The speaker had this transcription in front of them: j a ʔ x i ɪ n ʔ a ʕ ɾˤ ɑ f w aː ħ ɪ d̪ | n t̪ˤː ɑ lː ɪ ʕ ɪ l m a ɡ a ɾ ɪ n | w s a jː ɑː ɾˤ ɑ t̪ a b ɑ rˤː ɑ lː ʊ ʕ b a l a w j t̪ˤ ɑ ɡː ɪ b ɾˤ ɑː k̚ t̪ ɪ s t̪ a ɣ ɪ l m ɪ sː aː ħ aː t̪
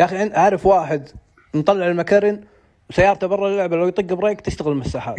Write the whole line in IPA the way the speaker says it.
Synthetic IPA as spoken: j a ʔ x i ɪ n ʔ a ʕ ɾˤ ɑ f w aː ħ ɪ d̪ | n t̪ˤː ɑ lː ɪ ʕ ɪ l m a k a ɾ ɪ n | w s a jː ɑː ɾˤ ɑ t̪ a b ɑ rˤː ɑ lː ʊ ʕ b a l a w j t̪ˤ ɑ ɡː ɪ b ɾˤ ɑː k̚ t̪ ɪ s t̪ a ɣ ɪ l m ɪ sː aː ħ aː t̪